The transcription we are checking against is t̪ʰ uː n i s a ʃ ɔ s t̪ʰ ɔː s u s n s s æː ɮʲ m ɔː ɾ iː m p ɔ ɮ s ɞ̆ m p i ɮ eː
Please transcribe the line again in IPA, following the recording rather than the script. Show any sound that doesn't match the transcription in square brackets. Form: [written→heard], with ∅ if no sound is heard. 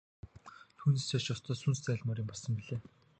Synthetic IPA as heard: t̪ʰ uː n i s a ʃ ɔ s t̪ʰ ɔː s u [s→∅] n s [s→t͡s] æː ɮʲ m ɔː ɾ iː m p ɔ ɮ s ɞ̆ m p i ɮ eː